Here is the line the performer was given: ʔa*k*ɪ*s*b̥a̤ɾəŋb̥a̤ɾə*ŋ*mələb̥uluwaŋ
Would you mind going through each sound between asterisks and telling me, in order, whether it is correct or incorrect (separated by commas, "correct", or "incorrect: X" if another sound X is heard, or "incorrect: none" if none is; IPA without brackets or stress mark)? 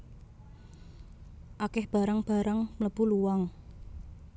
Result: correct, incorrect: h, correct